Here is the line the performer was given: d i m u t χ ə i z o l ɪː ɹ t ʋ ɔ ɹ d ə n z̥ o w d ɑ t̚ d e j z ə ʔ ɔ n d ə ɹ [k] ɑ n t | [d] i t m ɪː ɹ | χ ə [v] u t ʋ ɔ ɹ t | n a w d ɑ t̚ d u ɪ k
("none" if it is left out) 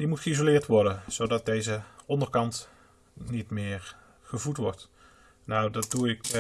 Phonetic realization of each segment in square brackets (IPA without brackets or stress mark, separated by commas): k, n, v